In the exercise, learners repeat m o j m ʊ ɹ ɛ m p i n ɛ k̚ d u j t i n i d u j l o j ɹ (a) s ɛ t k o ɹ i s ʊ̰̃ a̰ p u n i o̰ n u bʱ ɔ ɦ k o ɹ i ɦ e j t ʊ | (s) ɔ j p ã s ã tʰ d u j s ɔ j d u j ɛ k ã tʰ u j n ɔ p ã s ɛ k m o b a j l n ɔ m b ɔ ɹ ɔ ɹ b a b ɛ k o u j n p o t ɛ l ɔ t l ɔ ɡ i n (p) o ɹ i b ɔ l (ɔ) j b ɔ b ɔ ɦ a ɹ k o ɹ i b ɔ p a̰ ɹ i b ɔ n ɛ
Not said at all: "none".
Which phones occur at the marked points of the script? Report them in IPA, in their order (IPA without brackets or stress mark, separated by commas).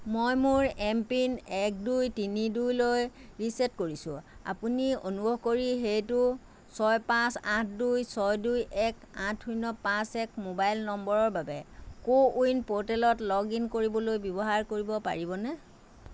i, s, k, o